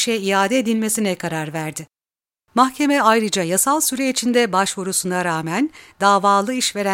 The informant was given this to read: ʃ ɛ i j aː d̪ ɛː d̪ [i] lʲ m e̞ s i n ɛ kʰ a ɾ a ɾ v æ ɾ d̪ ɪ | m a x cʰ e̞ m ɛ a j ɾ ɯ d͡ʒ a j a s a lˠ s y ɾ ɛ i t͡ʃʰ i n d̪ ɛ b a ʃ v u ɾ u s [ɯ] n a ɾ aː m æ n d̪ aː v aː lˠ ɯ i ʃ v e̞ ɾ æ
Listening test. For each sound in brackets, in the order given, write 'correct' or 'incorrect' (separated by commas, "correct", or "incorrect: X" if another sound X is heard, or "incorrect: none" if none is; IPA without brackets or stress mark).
correct, incorrect: u